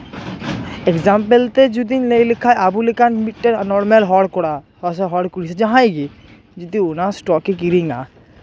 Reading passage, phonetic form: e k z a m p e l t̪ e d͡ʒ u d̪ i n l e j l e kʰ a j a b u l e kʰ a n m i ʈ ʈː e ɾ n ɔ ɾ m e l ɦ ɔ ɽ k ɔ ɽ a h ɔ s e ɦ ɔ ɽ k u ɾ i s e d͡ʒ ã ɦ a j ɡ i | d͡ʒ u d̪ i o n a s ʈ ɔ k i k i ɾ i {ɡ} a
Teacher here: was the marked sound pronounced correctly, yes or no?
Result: no